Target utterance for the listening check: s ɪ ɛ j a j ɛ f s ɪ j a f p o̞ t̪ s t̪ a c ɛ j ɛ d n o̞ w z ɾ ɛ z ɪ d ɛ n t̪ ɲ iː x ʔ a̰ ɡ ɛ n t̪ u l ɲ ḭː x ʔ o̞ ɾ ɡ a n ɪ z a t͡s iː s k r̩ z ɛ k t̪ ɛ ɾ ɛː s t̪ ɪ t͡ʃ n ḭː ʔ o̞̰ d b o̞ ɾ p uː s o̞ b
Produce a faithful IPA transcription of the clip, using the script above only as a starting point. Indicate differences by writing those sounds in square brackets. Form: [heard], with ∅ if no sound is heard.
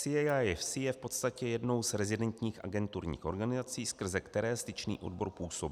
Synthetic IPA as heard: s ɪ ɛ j a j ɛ f s ɪ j [ɛ] f p o̞ t̪ s t̪ a c ɛ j ɛ d n o̞ w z ɾ ɛ z ɪ d ɛ n t̪ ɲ iː x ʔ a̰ ɡ ɛ n t̪ u [ɾ] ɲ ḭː x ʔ o̞ ɾ ɡ a n ɪ z a t͡s iː s k r̩ z ɛ k t̪ ɛ ɾ ɛː s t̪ ɪ t͡ʃ n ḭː ʔ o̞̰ d b o̞ ɾ p uː s o̞ b